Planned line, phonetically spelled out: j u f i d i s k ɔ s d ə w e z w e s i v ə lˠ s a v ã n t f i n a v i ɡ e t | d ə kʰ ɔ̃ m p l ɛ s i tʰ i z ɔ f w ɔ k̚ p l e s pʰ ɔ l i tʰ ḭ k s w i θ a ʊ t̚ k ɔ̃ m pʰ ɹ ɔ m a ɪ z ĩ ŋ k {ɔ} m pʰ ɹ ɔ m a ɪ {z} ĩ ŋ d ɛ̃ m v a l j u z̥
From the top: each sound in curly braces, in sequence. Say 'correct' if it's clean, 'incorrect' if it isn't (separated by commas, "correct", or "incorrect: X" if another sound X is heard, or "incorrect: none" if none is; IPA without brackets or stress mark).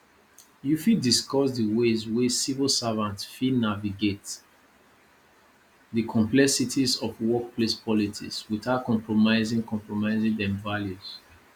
incorrect: ɔ̃, correct